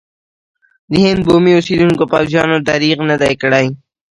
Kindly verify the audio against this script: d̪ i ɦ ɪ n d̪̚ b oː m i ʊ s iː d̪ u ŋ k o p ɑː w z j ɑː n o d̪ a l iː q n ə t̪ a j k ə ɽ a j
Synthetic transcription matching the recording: d̪ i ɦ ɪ n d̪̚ b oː m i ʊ s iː d̪ u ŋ k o p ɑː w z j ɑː n o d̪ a ɾ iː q n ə d̪ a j k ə ɽ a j